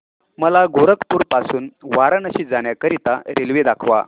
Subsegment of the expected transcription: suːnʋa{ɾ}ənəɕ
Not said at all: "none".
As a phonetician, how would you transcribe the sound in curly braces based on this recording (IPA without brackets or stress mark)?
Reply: ɾ